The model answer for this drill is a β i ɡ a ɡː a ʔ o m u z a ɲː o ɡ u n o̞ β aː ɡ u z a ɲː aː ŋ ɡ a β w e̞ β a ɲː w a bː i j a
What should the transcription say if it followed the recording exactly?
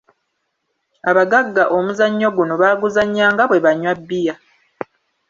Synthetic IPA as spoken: a β a ɡ a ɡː a ʔ o m u z a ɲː o ɡ u n o̞ β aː ɡ u z a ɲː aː ŋ ɡ a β w e̞ β a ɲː w a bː i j a